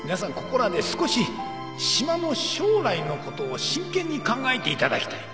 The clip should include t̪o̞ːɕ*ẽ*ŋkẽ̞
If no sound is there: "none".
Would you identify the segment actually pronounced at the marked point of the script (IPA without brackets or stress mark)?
ĩ